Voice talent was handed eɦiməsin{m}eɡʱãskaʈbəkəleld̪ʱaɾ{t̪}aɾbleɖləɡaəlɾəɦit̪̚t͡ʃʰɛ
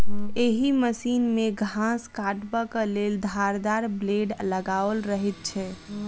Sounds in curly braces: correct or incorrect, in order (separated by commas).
correct, incorrect